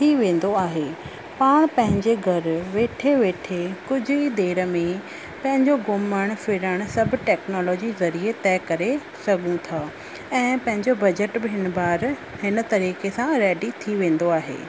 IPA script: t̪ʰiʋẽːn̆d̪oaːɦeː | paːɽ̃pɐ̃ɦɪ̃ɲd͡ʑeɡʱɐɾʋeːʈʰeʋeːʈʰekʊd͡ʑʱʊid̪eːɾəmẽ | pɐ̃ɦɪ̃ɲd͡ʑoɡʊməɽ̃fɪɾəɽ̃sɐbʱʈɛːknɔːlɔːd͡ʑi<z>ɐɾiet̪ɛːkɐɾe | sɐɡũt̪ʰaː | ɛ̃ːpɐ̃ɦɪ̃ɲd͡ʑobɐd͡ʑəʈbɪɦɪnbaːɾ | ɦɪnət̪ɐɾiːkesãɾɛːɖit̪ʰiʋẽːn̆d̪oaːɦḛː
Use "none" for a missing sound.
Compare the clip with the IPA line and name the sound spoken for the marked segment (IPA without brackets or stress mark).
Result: z